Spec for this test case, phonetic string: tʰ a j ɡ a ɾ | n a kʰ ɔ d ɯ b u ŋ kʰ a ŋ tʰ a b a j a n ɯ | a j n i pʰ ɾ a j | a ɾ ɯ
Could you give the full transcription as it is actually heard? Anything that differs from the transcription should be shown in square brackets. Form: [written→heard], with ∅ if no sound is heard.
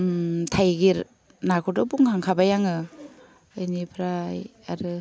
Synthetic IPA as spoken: tʰ a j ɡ [a→i] ɾ | n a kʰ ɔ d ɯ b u ŋ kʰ a ŋ [tʰ→kʰ] a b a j a [n→ŋ] ɯ | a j n i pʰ ɾ a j | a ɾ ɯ